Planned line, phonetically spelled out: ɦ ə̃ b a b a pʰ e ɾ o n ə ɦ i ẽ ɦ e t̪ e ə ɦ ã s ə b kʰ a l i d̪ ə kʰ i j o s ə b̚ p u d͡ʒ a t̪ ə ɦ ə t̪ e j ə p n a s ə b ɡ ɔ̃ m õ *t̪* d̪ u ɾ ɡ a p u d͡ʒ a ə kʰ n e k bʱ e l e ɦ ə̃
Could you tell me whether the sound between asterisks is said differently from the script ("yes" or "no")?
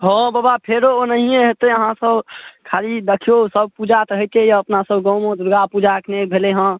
yes